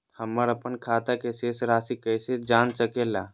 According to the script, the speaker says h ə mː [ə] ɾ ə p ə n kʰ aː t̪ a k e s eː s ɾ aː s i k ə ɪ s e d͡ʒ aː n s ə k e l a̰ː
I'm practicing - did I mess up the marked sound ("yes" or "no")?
no